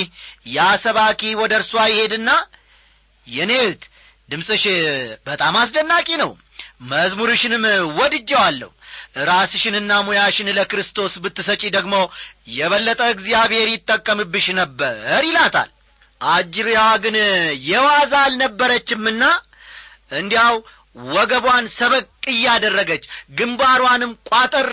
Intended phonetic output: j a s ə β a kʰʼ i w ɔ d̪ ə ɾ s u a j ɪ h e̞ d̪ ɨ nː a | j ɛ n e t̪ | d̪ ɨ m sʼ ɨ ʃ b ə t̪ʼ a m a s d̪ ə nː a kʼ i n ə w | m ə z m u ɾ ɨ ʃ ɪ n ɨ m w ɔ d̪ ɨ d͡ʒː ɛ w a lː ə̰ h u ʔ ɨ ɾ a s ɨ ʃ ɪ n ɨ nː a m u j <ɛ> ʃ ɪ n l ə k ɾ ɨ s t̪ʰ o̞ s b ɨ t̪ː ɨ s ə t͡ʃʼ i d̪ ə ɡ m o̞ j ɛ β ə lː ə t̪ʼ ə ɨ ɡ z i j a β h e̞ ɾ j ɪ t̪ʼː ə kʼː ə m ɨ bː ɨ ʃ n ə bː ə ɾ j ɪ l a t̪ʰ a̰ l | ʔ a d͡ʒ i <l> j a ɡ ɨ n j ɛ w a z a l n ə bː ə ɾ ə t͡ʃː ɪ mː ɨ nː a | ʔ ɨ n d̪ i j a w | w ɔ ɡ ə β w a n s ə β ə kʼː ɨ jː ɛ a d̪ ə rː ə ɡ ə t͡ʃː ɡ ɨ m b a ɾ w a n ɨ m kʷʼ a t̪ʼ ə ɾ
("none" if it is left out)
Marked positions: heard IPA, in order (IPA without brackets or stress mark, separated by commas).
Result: a, ɾ